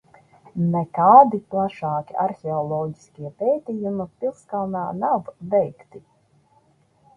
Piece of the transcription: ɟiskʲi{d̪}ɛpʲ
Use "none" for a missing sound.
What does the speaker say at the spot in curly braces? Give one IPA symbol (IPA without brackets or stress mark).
none